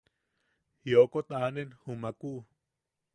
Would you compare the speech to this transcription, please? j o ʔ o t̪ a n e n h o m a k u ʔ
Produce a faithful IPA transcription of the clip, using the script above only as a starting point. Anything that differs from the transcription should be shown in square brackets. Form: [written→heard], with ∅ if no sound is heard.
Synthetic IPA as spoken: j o [ʔ→k] o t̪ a n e n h [o→u] m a k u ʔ